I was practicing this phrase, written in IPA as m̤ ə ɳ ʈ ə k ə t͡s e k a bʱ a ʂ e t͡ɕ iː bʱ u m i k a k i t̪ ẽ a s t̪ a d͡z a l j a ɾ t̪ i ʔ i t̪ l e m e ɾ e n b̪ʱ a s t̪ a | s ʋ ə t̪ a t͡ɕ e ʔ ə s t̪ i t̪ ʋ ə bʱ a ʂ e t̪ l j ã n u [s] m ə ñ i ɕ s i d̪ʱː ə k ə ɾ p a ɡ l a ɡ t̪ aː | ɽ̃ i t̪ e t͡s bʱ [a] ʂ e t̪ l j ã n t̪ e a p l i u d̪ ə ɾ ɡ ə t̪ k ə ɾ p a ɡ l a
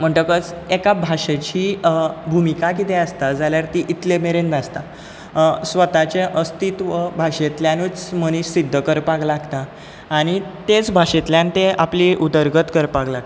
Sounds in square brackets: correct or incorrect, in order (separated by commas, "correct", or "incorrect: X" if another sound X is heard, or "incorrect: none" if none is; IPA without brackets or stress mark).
incorrect: t͡s, correct